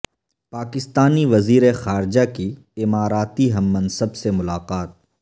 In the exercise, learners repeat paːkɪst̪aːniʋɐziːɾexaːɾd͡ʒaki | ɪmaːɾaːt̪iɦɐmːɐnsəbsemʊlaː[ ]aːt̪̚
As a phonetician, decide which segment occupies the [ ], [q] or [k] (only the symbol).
q